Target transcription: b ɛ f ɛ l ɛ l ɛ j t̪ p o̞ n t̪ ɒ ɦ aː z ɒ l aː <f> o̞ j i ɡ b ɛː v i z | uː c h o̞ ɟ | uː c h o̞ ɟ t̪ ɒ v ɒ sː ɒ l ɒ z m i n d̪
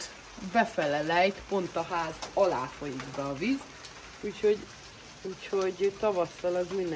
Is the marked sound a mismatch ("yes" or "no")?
no